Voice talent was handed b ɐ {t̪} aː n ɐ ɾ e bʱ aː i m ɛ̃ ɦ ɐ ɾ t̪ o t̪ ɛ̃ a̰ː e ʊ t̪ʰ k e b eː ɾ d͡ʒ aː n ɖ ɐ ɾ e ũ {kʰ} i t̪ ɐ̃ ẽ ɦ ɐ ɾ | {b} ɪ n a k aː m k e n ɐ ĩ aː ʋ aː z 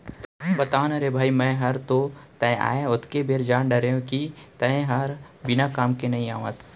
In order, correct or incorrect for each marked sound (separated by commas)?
correct, incorrect, correct